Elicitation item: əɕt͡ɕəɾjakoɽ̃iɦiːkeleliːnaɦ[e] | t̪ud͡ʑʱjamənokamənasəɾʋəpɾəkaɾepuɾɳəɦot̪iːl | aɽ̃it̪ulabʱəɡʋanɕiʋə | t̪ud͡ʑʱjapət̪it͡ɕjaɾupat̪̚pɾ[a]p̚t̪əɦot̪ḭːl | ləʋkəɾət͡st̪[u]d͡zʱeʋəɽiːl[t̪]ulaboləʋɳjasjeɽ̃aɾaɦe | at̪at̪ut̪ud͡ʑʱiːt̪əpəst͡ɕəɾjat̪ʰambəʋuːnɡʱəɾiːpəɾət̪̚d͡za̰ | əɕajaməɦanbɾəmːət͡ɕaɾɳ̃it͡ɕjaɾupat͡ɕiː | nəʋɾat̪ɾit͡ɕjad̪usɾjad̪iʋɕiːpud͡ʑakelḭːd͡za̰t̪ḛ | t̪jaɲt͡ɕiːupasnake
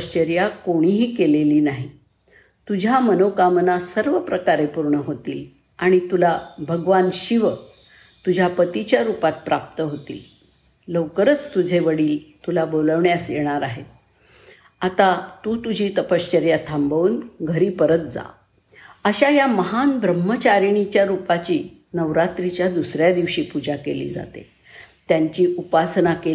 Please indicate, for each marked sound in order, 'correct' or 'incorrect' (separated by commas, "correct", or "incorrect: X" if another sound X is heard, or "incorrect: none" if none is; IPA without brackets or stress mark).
incorrect: i, correct, correct, correct